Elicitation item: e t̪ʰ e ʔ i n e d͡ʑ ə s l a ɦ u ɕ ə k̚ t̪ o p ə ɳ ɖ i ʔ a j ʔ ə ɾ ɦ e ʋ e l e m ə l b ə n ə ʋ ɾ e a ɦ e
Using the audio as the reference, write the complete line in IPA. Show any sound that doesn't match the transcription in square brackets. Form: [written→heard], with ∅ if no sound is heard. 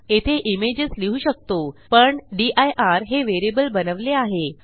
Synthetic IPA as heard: e t̪ʰ e ʔ i [n→m] e d͡ʑ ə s l [a→i] ɦ u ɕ ə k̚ t̪ o p ə ɳ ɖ i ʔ a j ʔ [ə→a] ɾ ɦ e ʋ e [l→ɾ] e [m→b] ə l b ə n ə ʋ [ɾ→l] e a ɦ e